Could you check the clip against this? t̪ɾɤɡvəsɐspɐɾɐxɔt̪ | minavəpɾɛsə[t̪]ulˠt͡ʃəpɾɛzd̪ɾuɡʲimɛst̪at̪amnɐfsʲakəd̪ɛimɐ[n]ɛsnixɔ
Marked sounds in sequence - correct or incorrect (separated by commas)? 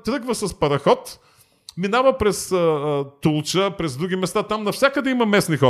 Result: correct, incorrect